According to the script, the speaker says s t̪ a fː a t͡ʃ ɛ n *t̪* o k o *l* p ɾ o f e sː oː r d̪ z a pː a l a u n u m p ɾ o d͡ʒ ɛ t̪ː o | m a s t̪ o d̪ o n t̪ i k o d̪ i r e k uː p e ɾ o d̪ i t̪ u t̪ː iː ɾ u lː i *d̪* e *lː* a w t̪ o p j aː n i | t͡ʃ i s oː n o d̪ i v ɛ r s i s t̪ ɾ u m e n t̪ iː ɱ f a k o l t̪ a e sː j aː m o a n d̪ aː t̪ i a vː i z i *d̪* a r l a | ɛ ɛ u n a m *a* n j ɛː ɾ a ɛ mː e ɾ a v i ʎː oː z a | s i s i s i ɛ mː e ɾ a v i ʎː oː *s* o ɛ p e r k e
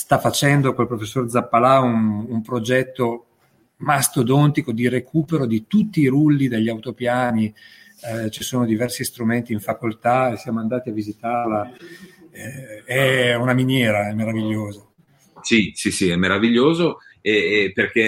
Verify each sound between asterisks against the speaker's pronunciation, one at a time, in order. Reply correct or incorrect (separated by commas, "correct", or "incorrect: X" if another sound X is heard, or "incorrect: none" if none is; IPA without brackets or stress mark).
incorrect: d̪, correct, correct, incorrect: ʎː, incorrect: t̪, incorrect: i, incorrect: z